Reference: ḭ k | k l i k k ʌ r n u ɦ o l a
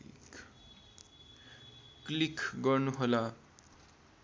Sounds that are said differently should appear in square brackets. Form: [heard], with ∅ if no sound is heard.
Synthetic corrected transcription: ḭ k | k l i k [ɡ] ʌ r n u ɦ o l a